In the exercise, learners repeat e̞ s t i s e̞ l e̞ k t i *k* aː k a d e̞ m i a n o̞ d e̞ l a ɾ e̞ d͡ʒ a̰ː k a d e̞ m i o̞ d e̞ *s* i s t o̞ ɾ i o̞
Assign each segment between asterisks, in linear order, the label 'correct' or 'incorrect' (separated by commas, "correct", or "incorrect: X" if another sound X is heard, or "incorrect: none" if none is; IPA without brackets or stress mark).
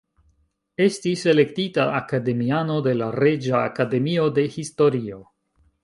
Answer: incorrect: t, incorrect: h